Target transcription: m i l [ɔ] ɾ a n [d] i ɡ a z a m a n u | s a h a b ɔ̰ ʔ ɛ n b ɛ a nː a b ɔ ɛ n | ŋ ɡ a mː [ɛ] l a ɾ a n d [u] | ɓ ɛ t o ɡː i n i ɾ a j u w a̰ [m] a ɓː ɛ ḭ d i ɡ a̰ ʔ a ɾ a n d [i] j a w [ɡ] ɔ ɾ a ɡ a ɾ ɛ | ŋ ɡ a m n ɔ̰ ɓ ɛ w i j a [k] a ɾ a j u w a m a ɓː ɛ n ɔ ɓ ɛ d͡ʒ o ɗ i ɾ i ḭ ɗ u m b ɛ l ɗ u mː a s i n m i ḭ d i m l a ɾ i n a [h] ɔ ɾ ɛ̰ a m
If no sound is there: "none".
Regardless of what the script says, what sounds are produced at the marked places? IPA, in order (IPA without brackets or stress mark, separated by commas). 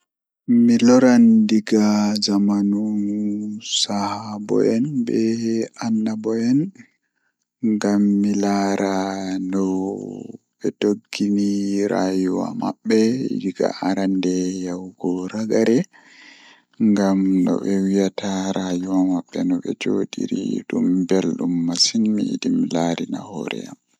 ɔ, d, i, ɔ, m, ɛ, ɡ, t, h